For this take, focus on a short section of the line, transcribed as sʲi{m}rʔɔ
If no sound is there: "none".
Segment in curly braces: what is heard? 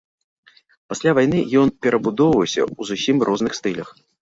m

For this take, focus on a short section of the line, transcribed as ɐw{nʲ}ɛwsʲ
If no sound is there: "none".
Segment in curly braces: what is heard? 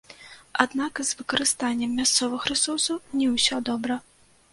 nʲ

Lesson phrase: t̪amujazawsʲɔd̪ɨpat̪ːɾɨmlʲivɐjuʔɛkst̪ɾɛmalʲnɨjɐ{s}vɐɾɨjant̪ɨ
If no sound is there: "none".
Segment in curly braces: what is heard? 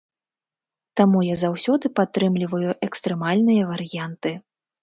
none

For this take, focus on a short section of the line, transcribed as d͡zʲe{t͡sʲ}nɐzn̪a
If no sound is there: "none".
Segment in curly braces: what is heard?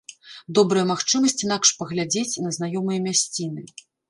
t͡sʲ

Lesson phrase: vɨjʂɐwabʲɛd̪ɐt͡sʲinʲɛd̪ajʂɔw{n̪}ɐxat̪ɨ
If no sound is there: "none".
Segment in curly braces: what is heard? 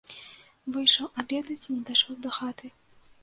d̪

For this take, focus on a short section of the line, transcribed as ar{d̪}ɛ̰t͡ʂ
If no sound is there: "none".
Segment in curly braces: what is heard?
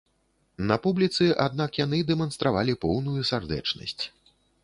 d̪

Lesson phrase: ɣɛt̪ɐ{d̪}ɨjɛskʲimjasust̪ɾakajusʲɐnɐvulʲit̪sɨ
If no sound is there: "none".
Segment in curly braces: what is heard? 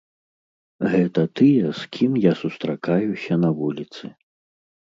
t̪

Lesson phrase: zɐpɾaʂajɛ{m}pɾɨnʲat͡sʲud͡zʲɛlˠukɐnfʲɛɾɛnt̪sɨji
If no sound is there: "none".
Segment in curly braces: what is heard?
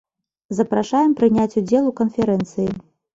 m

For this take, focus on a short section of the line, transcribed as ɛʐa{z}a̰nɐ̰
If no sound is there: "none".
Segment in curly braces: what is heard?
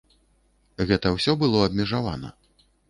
v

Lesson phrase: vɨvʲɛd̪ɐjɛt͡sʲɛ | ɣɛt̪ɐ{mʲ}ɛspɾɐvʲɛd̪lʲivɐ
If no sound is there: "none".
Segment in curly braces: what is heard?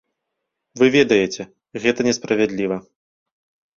nʲ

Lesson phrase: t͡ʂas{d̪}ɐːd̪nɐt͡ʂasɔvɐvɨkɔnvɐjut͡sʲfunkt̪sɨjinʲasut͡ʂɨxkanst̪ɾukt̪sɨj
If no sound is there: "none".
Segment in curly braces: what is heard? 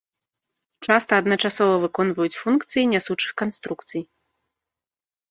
t̪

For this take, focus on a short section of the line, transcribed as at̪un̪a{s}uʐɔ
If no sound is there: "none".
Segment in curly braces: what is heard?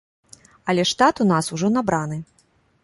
s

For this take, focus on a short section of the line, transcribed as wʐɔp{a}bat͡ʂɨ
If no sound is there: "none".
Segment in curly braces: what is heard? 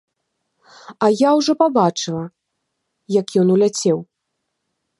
a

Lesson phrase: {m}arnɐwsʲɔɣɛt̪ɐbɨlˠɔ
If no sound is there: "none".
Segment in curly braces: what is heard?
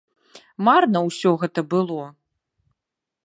m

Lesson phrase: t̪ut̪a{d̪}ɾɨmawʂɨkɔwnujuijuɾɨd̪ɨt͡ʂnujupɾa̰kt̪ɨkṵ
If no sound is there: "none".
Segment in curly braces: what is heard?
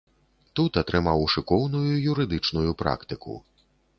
t̪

